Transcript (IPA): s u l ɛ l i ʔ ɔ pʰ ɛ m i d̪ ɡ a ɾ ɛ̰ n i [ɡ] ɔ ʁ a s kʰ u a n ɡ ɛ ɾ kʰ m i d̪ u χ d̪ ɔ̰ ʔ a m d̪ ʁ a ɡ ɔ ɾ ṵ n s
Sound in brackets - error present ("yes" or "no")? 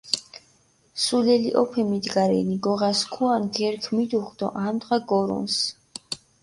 no